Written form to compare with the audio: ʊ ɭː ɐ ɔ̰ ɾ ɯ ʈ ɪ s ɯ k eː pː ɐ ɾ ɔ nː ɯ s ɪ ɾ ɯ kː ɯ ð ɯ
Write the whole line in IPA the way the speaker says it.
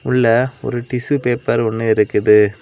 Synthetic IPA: ʊ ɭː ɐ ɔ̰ ɾ ɯ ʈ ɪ s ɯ p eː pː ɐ ɾ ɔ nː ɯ ɪ ɾ ɯ kː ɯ ð ɯ